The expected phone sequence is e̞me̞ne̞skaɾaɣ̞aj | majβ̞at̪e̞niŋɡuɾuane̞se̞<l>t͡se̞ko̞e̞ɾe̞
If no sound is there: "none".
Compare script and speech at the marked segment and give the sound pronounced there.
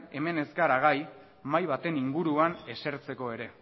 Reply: ɾ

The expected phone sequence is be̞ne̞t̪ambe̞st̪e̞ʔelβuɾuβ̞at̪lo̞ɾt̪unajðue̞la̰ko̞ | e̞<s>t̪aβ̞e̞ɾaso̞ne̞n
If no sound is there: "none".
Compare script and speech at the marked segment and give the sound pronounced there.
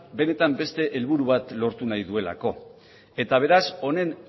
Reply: none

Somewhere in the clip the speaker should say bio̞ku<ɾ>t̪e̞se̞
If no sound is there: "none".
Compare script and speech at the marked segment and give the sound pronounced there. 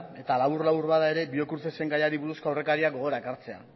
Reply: ɾ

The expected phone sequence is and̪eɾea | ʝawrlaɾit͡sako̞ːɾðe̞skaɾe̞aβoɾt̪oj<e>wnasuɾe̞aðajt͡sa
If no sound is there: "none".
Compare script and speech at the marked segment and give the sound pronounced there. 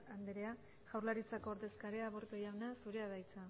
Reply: a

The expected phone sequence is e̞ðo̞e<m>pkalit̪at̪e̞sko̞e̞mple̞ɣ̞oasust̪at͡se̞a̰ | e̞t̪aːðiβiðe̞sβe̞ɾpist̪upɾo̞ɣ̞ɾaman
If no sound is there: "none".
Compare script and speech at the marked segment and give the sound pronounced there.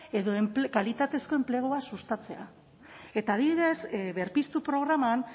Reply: m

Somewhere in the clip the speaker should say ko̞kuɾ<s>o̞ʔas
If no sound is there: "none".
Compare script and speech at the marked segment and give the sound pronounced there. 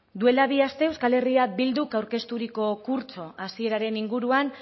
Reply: t͡s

